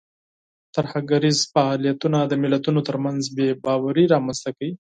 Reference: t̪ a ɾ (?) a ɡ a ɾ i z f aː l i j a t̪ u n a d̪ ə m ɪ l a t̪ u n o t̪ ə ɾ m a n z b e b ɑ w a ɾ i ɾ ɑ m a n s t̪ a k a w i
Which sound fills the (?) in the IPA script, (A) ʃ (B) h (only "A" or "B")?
B